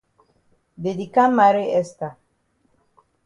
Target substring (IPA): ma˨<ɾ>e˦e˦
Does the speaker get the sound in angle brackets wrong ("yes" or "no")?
no